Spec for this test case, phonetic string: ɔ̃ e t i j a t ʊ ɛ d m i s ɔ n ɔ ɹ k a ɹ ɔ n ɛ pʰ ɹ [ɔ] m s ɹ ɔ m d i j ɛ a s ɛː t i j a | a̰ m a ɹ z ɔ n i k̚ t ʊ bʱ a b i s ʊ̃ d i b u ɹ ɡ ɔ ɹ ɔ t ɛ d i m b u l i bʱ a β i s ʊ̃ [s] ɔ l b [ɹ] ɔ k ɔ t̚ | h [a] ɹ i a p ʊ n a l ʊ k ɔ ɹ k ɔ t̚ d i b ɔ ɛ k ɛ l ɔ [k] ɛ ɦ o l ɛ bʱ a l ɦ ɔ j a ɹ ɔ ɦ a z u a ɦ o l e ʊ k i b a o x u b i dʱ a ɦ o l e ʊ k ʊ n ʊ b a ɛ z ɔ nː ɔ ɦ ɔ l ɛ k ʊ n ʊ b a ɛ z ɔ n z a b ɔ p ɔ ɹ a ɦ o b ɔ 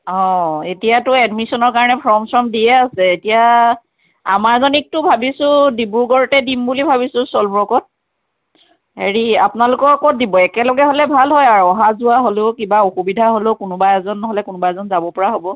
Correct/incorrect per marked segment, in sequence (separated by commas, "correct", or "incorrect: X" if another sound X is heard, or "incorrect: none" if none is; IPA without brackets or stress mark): correct, correct, correct, incorrect: e, incorrect: ɡ